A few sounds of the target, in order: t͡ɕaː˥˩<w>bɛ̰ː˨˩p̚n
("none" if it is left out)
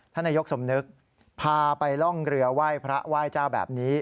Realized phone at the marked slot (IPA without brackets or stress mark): w